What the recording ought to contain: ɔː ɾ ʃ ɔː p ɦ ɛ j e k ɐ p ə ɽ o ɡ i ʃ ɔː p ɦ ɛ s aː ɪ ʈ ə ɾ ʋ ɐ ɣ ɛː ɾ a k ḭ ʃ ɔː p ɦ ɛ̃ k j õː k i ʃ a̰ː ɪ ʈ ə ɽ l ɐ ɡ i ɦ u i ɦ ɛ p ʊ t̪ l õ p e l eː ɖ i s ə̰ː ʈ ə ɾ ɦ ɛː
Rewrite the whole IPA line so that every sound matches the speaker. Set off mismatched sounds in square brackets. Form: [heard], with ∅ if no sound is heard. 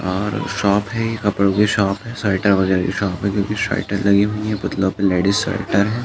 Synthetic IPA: ɔː ɾ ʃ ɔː p ɦ ɛ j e k ɐ p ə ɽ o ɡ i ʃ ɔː p ɦ ɛ s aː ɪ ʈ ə ɾ ʋ ɐ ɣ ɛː ɾ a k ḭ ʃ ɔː p ɦ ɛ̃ k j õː k i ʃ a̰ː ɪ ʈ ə [ɾ] l ɐ ɡ i ɦ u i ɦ ɛ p ʊ t̪ l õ p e l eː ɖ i s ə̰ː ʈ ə ɾ ɦ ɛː